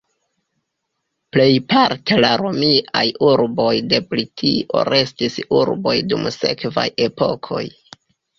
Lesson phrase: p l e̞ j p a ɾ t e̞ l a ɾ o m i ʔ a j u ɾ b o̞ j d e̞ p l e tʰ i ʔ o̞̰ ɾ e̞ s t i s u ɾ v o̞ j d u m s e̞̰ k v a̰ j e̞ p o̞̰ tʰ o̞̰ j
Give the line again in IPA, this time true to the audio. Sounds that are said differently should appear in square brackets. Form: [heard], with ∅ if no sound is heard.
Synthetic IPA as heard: p l e̞ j p a ɾ t e̞ l a ɾ o m i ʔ a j u ɾ b o̞ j d e̞ p l [i] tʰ i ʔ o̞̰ ɾ e̞ s t i s u ɾ [b] o̞ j d u m s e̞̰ k v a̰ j e̞ p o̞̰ [kʰ] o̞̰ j